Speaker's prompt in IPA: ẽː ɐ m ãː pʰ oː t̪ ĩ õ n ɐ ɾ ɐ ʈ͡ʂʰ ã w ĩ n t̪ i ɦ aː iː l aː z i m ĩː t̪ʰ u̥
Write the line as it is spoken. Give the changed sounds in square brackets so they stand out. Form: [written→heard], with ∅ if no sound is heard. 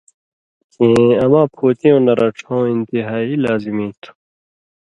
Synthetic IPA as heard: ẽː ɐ m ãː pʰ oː t̪ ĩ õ n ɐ ɾ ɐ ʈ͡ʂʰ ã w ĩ n t̪ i ɦ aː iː l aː z i m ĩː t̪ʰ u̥